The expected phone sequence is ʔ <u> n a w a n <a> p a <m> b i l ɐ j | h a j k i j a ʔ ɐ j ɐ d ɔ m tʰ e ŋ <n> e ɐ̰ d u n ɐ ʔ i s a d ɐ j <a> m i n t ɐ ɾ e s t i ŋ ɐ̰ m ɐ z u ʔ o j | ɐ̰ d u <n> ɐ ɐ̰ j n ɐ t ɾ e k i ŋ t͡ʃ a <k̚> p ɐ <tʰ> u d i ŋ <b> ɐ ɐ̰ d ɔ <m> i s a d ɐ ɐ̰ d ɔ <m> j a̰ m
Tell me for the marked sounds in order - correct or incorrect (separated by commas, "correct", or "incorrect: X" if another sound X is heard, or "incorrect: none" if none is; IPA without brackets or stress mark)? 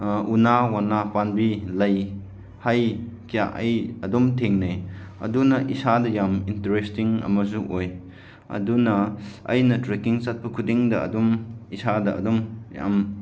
correct, correct, incorrect: n, correct, correct, correct, incorrect: t̚, incorrect: kʰ, incorrect: d, correct, correct